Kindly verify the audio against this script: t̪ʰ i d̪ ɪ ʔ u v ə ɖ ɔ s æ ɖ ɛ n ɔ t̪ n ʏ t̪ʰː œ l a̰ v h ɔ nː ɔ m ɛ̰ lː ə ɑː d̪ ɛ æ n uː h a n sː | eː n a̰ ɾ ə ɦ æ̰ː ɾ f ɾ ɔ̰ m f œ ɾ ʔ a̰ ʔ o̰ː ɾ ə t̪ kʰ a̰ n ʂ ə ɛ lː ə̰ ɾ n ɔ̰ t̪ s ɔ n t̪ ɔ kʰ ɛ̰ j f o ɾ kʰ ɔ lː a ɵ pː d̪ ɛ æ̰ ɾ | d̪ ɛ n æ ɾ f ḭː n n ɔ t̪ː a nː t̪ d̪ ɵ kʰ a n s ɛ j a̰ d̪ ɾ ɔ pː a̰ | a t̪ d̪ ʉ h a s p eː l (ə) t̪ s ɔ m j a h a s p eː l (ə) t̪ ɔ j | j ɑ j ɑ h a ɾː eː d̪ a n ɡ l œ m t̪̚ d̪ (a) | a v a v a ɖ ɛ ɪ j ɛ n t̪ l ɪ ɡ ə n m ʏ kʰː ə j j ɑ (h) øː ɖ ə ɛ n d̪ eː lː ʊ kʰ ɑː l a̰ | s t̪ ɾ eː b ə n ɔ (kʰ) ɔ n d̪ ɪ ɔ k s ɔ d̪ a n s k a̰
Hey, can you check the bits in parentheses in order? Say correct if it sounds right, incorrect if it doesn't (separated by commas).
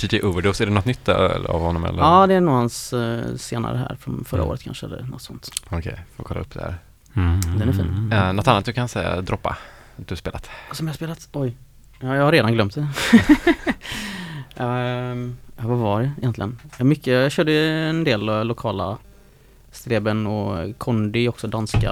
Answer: incorrect, incorrect, incorrect, incorrect, correct